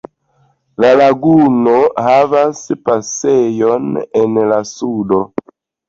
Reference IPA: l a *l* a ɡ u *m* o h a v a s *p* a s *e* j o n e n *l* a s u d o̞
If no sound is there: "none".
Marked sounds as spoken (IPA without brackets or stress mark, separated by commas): l, n, p, e, l